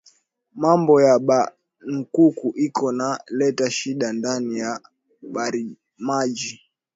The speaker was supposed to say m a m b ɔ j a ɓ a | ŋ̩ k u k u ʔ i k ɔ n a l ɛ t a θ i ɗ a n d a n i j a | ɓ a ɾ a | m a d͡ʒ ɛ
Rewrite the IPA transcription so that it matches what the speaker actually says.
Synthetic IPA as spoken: m a m b ɔ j a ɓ a | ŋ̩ k u k u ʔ i k ɔ n a l ɛ t a ʃ i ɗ a n d a n i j a | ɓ a ɾ i | m a d͡ʒ i

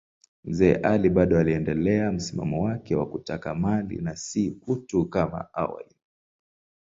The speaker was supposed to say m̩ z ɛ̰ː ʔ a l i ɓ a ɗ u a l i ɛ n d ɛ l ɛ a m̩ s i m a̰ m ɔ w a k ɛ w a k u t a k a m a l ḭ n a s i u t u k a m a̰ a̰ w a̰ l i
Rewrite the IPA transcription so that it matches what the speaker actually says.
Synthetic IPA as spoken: m̩ z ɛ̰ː ʔ a l i ɓ a ɗ ɔ a l i ɛ n d ɛ l ɛ a m̩ s i m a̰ m ɔ w a k ɛ w a k u t a k a m a l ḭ n a s i u t u k a m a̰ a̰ w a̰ l i

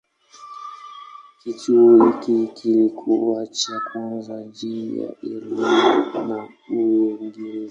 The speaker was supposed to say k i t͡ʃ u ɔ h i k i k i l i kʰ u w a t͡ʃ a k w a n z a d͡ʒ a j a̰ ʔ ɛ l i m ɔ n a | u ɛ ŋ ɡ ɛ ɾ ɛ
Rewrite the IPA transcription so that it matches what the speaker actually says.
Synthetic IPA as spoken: k i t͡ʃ u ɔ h i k i k i l i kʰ u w a t͡ʃ a k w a n z a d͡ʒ i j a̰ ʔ ɛ l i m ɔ n a | u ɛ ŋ ɡ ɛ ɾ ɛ

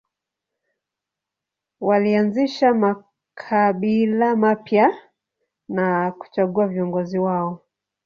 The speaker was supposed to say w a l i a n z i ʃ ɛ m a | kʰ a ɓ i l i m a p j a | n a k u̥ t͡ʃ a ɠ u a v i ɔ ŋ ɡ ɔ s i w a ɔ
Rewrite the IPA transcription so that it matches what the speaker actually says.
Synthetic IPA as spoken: w a l i a n z i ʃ a m a | kʰ a ɓ i l a m a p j a | n a k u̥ t͡ʃ a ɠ u a v i ɔ ŋ ɡ ɔ z i w a ɔ

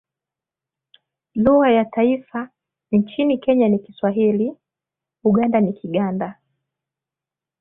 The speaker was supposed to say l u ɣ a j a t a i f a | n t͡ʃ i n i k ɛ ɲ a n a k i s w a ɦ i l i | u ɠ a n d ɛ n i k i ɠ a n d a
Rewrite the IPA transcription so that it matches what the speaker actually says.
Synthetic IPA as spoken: l u ɣ a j a t a i f a | n t͡ʃ i n i k ɛ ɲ a n i k i s w a ɦ i l i | u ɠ a n d a n i k i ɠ a n d a

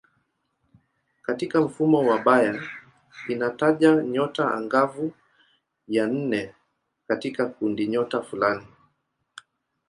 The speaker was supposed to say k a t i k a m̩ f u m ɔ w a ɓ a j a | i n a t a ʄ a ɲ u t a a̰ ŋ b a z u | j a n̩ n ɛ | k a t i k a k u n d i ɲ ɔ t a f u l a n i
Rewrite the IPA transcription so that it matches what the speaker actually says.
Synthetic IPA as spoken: k a t i k a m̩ f u m ɔ w a ɓ a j a | i n a t a ʄ a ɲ ɔ t a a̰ ŋ ɡ a v u | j a n̩ n ɛ | k a t i k a k u n d i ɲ ɔ t a f u l a n i

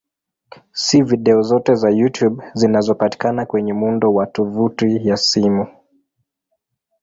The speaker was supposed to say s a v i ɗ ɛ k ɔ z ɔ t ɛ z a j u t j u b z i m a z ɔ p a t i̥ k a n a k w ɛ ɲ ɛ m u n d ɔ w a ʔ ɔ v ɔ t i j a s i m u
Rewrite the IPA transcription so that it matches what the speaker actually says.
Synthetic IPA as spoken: s i v i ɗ ɛ ɔ z ɔ t ɛ z a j u t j u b z i n a z ɔ p a t i̥ k a n a k w ɛ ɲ ɛ m u n d ɔ w a t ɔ v u t i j a s i m u

